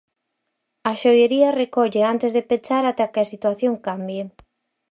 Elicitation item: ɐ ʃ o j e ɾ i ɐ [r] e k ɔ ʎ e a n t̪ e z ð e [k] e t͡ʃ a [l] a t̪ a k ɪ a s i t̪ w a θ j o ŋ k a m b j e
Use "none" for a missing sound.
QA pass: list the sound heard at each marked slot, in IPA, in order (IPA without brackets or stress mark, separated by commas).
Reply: r, p, ɾ